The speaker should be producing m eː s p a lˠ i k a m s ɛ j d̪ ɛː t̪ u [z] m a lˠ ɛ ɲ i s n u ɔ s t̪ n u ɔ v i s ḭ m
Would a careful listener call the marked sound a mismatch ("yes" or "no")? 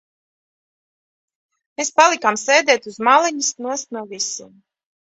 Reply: no